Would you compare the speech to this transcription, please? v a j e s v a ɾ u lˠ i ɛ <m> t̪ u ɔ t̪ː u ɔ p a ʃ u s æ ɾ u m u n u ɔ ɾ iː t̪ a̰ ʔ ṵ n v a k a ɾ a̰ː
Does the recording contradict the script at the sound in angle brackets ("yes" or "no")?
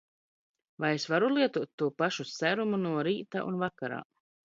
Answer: yes